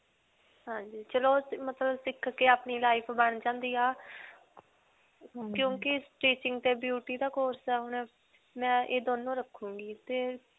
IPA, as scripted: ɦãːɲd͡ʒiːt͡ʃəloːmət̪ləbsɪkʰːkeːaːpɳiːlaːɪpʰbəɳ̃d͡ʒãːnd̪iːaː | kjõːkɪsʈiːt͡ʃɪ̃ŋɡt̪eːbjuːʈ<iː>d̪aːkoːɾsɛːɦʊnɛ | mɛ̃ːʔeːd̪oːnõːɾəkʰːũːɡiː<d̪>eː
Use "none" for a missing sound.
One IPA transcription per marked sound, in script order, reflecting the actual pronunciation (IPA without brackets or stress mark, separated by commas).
iː, t̪